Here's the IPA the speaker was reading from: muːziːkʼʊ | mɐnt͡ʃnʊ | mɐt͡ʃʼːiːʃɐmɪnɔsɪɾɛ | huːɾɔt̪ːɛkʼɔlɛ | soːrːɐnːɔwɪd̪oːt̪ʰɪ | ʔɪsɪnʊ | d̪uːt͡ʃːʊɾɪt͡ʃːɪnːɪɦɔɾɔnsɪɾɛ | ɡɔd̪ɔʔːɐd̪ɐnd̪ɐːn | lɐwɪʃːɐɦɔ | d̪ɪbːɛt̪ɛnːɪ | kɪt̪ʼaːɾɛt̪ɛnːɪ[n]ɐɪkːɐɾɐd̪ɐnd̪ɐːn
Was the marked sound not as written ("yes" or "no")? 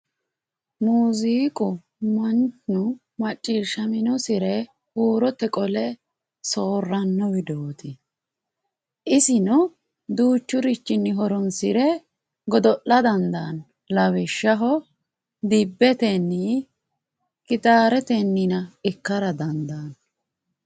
no